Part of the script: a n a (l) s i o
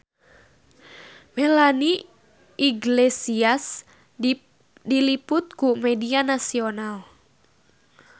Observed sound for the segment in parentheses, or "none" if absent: none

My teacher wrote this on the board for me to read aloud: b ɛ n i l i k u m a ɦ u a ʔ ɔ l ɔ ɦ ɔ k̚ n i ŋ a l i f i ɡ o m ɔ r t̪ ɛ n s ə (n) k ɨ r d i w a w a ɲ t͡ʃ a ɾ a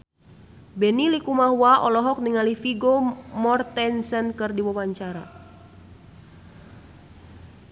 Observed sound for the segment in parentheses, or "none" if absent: n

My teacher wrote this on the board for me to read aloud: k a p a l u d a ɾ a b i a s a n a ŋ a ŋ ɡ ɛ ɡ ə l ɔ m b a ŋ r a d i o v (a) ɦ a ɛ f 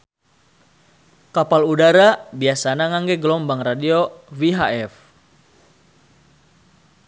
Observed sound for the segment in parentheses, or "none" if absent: i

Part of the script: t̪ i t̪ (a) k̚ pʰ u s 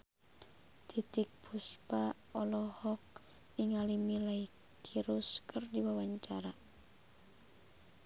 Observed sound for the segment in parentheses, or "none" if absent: i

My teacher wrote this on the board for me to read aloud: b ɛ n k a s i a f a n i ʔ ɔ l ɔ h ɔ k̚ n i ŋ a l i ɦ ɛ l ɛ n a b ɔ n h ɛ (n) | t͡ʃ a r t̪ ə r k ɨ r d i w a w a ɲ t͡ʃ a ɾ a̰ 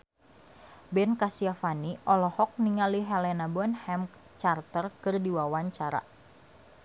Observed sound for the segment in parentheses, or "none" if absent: m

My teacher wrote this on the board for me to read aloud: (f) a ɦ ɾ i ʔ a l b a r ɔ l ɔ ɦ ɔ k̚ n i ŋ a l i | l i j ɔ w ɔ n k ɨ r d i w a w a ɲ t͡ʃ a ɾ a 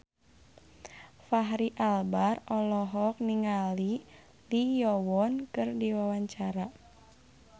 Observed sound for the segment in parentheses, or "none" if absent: f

